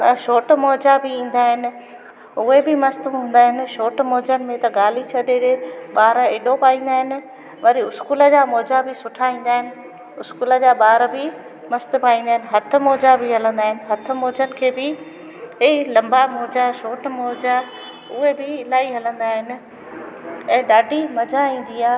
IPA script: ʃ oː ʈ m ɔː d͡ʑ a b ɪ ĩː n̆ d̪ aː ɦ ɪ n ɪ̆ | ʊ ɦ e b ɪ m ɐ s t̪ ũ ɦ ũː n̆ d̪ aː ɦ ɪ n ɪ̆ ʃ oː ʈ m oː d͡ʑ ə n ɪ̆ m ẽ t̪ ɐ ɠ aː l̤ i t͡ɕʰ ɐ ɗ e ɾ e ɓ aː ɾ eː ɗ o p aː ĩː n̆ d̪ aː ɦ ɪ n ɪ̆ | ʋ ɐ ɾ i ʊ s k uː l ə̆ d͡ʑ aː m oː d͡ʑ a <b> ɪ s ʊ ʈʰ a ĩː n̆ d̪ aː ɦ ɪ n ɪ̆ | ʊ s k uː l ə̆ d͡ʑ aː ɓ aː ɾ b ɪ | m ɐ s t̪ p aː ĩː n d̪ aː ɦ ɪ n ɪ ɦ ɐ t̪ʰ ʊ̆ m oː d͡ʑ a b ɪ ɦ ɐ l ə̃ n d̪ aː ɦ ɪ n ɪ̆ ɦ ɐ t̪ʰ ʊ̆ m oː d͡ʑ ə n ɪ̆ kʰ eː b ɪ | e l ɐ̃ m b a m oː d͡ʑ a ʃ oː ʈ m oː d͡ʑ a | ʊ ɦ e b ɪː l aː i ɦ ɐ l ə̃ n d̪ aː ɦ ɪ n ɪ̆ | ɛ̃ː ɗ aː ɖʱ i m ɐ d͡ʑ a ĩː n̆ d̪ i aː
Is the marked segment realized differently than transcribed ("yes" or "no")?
no